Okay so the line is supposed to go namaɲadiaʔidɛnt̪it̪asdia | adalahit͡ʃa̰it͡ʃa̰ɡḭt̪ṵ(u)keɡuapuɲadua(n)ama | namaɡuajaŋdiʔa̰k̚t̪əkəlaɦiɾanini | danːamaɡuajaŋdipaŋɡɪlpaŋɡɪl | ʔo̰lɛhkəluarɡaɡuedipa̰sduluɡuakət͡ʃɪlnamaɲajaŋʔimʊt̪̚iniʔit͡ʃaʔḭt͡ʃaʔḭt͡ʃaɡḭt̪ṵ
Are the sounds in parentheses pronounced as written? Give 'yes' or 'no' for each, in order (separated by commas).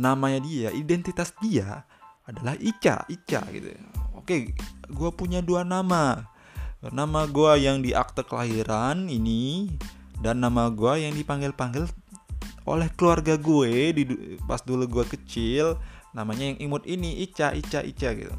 no, yes